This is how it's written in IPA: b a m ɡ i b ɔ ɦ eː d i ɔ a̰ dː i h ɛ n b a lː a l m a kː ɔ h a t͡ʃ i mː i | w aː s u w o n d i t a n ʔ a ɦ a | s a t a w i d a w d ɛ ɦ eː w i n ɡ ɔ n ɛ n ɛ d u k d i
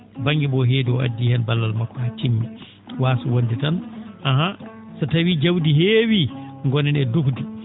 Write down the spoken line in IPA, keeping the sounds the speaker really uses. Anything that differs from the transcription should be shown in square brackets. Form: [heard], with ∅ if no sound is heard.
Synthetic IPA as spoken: b a [ŋ] ɡ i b ɔ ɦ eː d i ɔ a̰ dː i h ɛ n b a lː a l m a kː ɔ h a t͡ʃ i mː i | w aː s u w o n d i t a n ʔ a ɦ a | s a t a w i [d͡ʒ] a w d [i] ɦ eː w i [ŋ] ɡ ɔ n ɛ n ɛ d u k d i